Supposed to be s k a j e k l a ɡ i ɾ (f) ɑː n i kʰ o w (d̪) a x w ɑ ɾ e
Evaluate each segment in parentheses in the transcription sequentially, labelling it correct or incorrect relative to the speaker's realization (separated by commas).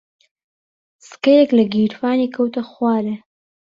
correct, incorrect